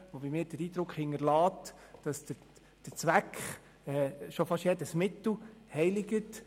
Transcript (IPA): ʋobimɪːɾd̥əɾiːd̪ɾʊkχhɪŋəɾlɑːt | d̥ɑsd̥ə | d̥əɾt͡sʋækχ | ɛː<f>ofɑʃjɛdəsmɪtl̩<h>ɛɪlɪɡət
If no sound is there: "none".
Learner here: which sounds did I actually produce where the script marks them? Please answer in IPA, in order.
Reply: ʃ, h

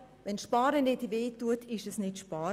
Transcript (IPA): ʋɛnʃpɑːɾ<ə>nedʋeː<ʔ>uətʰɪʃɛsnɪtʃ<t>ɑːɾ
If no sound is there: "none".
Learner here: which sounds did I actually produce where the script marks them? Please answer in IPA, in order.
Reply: ə, t, p

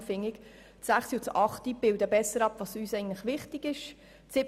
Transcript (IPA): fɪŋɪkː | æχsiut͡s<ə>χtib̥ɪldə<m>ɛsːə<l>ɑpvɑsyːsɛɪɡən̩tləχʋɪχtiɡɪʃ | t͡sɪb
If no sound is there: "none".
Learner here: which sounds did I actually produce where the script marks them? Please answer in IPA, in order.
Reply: ɑ, b, ɾ

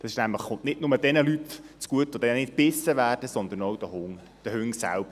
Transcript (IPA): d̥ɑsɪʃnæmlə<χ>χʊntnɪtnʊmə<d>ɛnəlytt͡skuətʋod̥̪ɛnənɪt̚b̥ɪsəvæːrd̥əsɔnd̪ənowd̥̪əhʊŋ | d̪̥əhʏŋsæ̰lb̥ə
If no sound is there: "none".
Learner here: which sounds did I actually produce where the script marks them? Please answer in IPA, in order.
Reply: χ, d

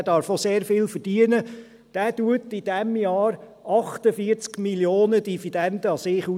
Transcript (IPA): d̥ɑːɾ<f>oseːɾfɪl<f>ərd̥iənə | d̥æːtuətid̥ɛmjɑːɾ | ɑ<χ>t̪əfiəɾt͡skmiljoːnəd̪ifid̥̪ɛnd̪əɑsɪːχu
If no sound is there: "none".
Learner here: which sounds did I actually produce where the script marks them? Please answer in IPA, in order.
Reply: f, f, χ

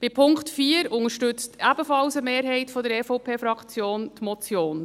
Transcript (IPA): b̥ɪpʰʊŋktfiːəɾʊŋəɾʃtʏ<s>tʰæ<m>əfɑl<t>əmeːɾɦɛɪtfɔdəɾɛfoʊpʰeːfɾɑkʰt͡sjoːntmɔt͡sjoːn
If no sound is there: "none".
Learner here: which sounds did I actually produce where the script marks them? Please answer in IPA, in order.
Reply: t͡s, b, s

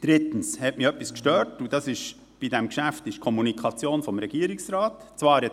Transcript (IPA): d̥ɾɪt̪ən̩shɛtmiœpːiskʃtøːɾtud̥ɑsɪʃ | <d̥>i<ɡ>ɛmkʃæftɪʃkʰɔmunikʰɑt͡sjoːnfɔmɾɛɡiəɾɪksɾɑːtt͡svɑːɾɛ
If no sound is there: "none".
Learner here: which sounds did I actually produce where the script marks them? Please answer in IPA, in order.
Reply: b̥, d

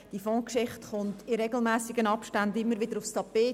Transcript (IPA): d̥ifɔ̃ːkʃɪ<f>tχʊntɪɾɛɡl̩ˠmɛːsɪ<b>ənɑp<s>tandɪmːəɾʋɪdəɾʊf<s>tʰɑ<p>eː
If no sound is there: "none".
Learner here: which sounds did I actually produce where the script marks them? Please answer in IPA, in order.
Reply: χ, ɡ, ʃ, s, p

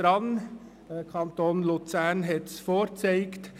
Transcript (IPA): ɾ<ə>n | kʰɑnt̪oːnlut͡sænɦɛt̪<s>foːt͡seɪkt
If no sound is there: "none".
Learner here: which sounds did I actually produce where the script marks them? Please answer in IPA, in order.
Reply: ɑ, s

